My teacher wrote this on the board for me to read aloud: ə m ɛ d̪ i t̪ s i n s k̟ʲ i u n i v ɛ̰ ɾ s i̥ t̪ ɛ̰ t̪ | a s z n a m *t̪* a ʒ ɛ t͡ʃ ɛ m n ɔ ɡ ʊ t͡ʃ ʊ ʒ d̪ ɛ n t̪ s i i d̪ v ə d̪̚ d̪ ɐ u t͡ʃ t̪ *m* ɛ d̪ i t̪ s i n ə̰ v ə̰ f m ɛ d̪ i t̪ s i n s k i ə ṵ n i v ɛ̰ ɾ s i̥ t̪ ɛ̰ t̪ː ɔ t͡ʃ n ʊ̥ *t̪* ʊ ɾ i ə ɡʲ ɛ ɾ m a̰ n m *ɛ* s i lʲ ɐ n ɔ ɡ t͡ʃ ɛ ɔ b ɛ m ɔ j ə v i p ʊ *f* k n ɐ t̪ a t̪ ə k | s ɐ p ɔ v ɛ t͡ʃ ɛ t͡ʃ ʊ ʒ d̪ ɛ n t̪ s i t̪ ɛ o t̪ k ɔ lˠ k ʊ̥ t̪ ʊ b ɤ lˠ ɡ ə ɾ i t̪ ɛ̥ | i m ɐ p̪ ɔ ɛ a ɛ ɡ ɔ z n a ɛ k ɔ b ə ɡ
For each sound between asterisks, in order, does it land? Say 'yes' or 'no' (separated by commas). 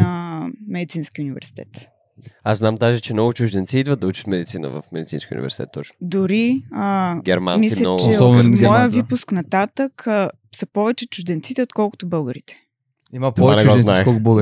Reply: no, yes, no, no, no